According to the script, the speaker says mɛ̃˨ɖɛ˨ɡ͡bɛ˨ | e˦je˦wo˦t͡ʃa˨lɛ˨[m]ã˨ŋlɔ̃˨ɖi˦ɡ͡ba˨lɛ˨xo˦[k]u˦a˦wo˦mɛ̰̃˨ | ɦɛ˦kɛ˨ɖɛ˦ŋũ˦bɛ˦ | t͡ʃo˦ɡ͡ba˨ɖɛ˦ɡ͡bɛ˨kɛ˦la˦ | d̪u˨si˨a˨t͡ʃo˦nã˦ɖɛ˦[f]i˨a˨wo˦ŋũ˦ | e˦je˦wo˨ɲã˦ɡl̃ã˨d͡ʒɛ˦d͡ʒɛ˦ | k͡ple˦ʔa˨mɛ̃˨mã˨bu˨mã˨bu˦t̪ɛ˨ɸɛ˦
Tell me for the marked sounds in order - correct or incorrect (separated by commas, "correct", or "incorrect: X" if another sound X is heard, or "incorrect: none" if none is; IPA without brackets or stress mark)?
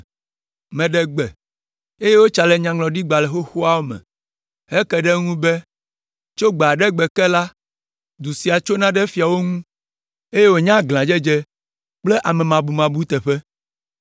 incorrect: ɲ, incorrect: x, correct